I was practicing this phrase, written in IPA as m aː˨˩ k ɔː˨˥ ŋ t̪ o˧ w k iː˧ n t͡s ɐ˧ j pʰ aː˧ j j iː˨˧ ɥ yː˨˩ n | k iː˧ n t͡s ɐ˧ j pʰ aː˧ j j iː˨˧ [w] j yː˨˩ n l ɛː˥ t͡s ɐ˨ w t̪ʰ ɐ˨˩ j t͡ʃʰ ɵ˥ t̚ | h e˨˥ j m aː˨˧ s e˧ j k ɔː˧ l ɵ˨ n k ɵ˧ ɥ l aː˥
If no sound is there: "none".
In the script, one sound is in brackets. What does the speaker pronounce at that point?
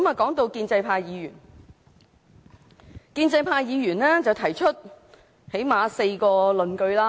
none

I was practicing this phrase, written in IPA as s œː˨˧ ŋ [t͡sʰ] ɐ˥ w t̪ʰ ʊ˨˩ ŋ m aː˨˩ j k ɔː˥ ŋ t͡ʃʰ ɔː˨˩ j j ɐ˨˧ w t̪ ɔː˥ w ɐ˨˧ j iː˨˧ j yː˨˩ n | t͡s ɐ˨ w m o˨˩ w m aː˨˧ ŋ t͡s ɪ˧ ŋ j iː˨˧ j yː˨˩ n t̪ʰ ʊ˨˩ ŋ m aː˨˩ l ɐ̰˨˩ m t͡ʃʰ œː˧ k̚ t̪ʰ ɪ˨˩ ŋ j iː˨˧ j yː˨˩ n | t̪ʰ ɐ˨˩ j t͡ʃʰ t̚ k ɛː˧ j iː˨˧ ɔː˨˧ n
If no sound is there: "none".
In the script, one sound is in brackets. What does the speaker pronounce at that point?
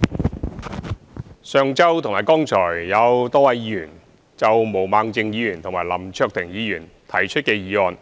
t͡s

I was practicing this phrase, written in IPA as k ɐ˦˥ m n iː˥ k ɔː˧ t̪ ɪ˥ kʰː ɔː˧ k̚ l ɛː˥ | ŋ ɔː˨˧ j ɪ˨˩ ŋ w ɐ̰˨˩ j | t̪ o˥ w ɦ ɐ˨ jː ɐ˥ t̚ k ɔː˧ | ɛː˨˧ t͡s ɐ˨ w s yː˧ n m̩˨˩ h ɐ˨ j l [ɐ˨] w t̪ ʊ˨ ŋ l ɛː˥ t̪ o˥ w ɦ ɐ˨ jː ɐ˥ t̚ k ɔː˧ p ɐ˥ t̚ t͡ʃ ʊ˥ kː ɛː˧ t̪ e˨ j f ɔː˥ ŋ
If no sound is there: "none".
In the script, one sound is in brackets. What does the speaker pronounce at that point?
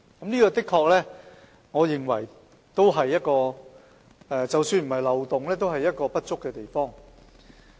ɐ˨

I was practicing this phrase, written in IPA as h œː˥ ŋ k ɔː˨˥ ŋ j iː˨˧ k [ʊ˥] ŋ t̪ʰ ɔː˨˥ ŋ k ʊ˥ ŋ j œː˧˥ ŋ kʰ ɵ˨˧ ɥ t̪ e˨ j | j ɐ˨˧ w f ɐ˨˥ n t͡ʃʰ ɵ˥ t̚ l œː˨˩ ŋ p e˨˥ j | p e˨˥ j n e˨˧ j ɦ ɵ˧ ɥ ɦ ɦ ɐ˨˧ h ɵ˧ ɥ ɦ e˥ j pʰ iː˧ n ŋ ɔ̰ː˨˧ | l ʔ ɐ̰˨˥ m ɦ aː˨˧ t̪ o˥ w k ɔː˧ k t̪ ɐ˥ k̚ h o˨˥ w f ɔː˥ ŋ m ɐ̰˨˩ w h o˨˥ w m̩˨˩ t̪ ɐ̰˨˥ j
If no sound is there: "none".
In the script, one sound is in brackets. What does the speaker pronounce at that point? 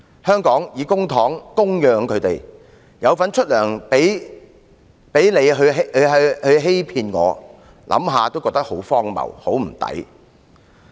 ʊ˥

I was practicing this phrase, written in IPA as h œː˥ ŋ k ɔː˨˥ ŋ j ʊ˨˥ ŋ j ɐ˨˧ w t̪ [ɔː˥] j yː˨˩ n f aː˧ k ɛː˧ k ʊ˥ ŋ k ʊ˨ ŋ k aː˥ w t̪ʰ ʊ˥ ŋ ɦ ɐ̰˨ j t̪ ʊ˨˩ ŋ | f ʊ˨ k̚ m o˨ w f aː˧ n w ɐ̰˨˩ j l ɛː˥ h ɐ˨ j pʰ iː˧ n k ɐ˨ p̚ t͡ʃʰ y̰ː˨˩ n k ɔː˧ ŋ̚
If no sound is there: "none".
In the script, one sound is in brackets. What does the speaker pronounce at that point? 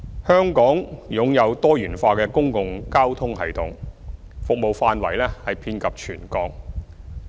ɔː˥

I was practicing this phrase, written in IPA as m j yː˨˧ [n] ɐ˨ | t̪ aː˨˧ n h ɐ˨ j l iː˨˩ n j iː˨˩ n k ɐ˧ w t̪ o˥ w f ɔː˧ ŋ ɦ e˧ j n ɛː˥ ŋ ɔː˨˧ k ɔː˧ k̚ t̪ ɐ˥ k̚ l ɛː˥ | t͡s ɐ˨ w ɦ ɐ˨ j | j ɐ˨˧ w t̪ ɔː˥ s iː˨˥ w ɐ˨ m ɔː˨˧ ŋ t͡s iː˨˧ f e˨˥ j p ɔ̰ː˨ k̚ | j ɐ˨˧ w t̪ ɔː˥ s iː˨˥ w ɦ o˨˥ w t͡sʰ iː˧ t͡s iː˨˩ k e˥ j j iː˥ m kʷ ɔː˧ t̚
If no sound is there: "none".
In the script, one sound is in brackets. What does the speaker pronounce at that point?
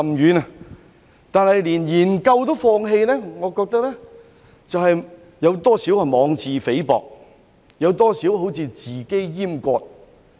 n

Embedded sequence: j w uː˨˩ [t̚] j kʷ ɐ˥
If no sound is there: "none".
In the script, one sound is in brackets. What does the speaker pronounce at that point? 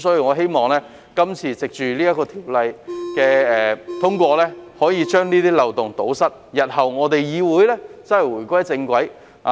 none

